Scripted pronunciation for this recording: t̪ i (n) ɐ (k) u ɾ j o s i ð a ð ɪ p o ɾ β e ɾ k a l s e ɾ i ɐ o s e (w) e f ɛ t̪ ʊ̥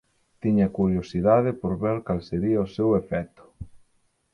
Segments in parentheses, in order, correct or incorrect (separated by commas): incorrect, correct, correct